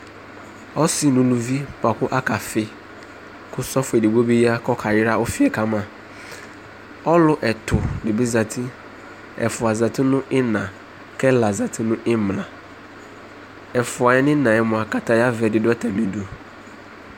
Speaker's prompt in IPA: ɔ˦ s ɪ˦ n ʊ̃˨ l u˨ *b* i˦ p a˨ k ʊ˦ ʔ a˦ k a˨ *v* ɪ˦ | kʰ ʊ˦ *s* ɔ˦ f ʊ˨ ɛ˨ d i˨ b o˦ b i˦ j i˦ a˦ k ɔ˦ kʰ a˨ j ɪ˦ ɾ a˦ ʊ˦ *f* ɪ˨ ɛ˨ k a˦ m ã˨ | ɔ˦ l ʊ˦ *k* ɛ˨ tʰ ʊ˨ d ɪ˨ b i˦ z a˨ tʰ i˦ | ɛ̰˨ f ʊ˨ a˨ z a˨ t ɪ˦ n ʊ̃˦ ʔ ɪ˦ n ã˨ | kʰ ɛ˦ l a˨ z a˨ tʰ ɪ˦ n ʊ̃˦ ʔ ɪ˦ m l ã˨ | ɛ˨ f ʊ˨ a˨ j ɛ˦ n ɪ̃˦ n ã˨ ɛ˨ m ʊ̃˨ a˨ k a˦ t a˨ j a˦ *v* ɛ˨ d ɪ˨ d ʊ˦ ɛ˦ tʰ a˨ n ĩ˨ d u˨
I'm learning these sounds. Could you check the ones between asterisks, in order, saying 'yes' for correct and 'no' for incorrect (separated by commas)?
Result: no, no, yes, yes, no, yes